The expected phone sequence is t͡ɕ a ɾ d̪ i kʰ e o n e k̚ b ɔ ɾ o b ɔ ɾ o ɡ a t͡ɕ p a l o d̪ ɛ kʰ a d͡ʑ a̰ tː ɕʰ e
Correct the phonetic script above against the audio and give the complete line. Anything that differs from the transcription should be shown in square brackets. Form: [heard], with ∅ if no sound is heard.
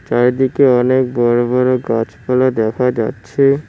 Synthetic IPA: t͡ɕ a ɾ d̪ i [k] e [ɔ] n e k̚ b ɔ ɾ o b ɔ ɾ o ɡ a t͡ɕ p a l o d̪ ɛ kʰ a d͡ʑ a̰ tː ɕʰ e